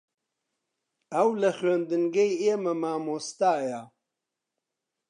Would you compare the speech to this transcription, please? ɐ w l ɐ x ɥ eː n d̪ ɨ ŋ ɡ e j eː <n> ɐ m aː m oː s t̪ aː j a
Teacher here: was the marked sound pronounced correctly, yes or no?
no